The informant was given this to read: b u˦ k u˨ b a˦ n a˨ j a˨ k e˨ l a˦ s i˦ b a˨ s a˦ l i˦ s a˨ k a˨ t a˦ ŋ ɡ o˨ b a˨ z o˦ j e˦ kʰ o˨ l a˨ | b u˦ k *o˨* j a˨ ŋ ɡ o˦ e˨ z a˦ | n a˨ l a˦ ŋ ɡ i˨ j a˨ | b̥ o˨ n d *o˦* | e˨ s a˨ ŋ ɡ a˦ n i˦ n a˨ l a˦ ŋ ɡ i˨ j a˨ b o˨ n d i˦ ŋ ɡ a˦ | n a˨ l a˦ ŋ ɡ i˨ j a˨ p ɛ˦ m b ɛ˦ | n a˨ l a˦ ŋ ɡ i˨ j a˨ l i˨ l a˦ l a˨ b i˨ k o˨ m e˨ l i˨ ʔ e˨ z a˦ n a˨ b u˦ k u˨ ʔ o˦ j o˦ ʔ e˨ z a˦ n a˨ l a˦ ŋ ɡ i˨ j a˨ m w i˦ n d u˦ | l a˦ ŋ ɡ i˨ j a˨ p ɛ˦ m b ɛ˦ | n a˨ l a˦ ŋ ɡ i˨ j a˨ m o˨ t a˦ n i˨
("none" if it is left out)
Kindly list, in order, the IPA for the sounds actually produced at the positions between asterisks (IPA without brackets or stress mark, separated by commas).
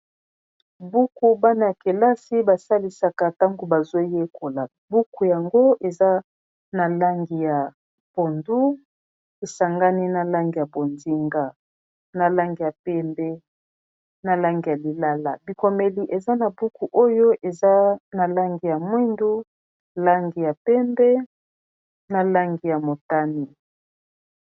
u˨, u˦